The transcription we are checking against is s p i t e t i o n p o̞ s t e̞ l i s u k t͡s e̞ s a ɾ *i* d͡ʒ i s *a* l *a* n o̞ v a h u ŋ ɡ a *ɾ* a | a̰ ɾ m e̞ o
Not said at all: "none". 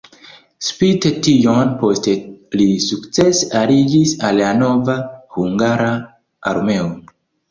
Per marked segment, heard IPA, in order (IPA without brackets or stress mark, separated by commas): i, a, a, ɾ